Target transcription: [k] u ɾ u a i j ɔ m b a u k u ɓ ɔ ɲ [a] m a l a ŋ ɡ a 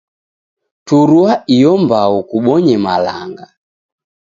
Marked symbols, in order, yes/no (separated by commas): no, no